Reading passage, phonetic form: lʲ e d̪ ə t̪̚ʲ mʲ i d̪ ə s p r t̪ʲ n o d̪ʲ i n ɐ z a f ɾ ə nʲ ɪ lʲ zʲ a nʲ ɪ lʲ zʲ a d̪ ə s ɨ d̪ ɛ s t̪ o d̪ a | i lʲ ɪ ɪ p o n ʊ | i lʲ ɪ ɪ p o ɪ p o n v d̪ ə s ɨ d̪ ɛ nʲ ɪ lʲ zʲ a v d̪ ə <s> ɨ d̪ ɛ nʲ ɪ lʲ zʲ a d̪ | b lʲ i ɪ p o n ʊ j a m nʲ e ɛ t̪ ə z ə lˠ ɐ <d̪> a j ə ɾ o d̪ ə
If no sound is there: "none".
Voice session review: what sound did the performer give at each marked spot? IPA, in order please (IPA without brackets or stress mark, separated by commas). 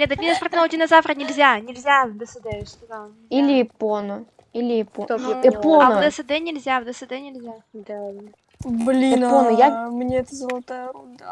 s, t̪